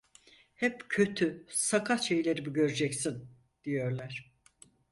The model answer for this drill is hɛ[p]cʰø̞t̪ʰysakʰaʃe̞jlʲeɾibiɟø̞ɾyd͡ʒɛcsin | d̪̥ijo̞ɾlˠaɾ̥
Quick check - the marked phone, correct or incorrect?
correct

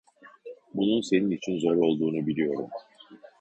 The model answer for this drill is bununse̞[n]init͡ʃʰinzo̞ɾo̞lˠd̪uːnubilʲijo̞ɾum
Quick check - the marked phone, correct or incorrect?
correct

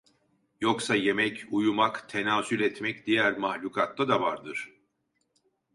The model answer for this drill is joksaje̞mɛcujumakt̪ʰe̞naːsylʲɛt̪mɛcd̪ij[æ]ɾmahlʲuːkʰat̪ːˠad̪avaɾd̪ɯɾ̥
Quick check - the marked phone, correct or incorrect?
correct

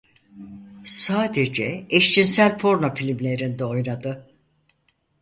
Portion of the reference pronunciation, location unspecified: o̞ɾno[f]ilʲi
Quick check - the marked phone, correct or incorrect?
correct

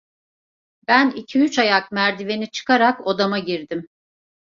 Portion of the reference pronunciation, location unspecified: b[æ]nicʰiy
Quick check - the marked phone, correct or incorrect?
correct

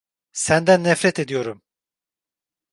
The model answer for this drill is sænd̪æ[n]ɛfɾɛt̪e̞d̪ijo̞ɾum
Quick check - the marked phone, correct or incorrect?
incorrect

